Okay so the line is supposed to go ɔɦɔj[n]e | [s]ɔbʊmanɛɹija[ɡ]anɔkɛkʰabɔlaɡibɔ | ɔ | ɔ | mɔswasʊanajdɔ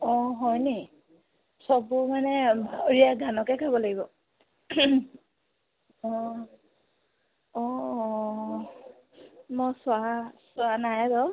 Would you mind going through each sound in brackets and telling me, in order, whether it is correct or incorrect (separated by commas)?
correct, correct, correct